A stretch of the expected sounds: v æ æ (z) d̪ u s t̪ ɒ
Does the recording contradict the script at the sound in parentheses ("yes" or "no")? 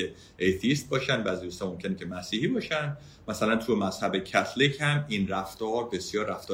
no